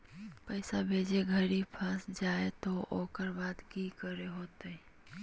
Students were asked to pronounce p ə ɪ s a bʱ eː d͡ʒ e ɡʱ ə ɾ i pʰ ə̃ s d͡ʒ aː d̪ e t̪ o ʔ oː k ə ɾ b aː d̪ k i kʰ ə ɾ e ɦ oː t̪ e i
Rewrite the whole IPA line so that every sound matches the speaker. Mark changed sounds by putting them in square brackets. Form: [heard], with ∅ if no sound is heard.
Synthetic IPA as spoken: p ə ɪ s a bʱ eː d͡ʒ e ɡʱ ə ɾ i pʰ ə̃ s d͡ʒ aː [∅] e t̪ o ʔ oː k ə ɾ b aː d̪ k i [k] ə ɾ e ɦ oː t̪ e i